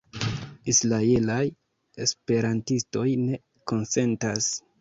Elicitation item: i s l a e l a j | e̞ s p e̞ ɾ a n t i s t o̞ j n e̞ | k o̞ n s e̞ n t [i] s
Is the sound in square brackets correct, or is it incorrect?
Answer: incorrect